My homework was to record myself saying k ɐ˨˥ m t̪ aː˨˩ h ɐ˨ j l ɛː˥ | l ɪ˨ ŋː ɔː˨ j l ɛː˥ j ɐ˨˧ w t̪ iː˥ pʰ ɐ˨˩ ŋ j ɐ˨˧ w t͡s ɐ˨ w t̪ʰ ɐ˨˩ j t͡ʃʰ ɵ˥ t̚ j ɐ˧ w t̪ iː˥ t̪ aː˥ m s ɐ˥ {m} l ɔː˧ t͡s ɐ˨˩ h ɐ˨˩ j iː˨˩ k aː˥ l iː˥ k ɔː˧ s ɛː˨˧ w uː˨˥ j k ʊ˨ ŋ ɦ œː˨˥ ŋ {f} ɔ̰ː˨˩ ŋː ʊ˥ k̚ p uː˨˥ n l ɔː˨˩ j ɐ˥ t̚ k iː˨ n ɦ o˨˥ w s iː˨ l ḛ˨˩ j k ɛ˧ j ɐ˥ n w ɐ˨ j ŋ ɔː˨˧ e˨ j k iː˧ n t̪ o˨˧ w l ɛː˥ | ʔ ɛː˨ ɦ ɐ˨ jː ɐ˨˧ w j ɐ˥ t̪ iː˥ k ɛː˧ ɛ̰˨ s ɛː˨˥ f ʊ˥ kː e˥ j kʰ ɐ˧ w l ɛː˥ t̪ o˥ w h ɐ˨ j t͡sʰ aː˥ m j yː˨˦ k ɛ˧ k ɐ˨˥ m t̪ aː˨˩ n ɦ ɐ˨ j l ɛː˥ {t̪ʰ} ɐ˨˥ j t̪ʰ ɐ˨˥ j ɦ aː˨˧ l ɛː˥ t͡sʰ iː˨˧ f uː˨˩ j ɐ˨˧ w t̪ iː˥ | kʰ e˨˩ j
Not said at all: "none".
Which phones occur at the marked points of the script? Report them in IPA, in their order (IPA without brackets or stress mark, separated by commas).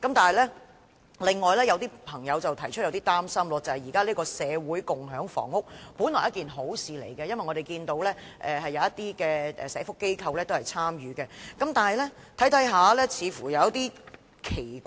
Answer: m, f, t̪ʰ